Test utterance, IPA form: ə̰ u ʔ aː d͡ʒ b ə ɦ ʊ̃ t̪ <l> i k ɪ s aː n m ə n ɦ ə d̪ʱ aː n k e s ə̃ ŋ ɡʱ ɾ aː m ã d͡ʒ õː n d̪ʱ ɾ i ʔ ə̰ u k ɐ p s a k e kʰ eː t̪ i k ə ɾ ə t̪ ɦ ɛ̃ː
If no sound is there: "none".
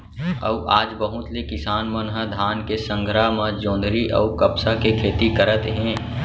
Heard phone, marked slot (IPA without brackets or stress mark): l